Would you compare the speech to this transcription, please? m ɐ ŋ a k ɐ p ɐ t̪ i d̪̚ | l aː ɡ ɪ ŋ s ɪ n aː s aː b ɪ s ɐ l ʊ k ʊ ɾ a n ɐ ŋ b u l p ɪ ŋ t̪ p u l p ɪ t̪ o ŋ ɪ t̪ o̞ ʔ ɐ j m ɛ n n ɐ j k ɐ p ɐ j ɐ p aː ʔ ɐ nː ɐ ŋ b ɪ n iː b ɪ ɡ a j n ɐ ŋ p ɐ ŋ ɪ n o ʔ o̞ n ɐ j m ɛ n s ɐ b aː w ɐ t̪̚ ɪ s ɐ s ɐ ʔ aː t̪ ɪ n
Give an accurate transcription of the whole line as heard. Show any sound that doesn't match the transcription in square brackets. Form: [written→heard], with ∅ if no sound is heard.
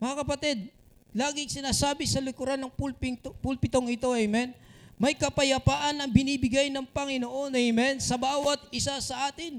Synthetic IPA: m ɐ ŋ a k ɐ p ɐ t̪ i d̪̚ | l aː ɡ ɪ ŋ s ɪ n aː s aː b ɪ s ɐ l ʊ k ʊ ɾ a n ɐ ŋ [b→p] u l p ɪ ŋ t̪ p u l p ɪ t̪ o ŋ ɪ t̪ o̞ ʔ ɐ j m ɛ n [n→m] ɐ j k ɐ p ɐ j ɐ p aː ʔ ɐ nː ɐ ŋ b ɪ n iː b ɪ ɡ a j n ɐ ŋ p ɐ ŋ ɪ n o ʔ o̞ n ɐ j m ɛ n s ɐ b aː w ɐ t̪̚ ɪ s [ɐ→a] s ɐ ʔ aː t̪ ɪ n